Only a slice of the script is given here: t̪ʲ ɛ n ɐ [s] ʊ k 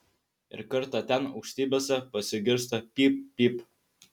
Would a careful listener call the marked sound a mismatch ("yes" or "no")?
yes